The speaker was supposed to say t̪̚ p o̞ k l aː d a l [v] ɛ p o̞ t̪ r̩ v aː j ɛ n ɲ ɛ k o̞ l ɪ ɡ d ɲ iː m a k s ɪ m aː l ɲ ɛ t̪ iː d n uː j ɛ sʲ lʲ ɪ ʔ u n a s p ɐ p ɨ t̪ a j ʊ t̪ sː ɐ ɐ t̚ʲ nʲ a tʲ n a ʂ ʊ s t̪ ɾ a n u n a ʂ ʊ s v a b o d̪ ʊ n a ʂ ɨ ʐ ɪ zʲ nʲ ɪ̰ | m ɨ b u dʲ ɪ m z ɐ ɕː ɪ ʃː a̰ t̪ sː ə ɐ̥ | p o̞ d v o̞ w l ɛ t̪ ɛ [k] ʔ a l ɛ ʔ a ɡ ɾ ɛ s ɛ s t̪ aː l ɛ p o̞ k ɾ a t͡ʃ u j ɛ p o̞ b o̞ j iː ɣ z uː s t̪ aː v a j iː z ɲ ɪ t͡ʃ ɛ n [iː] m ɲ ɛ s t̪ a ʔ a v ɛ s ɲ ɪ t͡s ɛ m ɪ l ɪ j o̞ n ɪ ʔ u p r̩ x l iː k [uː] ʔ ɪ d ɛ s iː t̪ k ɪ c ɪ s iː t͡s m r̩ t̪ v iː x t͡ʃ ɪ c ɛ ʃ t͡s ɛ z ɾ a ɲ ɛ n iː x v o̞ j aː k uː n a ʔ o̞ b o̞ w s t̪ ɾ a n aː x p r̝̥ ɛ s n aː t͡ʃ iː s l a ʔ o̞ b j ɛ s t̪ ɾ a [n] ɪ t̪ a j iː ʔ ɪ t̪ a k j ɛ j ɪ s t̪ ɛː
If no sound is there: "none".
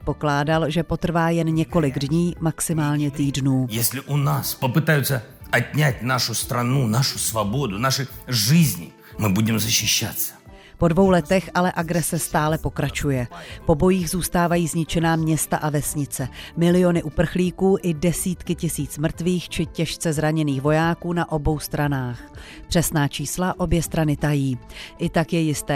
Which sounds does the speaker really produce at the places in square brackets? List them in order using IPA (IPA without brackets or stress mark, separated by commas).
ʒ, x, aː, uː, n